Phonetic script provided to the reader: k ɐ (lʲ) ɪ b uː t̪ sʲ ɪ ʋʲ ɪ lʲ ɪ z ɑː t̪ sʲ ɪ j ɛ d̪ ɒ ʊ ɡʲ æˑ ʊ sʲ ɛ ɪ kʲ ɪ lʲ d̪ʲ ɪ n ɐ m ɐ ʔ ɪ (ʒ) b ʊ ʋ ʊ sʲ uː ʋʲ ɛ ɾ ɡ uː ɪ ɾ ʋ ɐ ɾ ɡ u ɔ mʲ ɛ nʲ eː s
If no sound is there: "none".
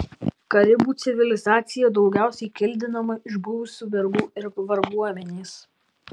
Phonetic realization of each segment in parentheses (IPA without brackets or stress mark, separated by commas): ɾʲ, ʒ